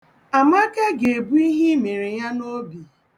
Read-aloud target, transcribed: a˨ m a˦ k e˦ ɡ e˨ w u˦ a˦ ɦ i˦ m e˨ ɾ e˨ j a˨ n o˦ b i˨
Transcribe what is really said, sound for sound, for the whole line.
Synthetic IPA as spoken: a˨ m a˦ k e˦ ɡ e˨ b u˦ i˦ ɦ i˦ m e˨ ɾ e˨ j a˦ n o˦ b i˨

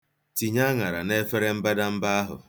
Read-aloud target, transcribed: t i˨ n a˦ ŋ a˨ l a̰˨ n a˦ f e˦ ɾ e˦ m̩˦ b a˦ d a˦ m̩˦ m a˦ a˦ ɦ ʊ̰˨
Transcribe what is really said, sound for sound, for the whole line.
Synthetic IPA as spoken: t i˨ ɲ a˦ ŋ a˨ ɾ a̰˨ n e˦ f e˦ ɾ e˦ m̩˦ b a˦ d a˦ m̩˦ b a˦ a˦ ɦ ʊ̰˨

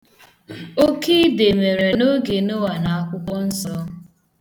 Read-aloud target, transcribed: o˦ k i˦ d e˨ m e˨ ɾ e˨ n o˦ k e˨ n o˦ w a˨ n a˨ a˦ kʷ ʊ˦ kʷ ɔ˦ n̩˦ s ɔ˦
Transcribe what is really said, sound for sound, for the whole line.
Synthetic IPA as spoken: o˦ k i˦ d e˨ m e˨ ɾ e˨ n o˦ ɡ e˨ n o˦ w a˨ n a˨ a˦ kʷ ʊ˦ kʷ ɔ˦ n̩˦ s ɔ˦

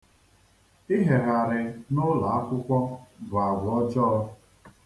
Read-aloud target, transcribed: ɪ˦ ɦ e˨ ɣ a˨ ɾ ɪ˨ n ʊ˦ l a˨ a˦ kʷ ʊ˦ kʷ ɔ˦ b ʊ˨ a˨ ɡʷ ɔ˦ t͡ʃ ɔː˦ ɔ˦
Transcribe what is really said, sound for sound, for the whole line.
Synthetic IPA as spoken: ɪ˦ ɦ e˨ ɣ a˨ ɾ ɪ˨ n ʊ˦ l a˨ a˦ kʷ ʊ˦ kʷ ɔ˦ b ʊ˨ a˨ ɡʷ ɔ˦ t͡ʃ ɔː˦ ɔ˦

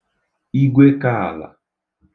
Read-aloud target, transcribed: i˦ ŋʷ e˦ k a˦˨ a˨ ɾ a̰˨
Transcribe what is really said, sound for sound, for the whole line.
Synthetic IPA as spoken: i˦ ɡʷ e˦ k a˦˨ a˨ l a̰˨

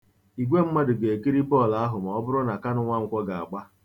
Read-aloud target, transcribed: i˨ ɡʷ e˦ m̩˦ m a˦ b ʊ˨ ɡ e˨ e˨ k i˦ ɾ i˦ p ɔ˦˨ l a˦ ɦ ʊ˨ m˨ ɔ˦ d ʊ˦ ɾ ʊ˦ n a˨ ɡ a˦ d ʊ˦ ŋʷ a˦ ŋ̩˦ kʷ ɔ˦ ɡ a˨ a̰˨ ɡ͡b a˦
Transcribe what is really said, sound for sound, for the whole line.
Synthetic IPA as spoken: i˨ ɡʷ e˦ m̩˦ m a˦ d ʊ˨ ɡ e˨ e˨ k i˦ ɾ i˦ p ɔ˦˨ l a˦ ɦ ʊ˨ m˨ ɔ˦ b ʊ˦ ɾ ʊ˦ n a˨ k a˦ n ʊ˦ ŋʷ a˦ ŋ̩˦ kʷ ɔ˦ ɡ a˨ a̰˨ ɡ͡b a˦

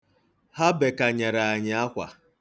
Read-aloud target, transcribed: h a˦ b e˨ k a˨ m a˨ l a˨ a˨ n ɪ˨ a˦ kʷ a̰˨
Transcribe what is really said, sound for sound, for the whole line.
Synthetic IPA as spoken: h a˦ b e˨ k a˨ ɲ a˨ ɾ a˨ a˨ ɲ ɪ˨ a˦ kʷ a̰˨

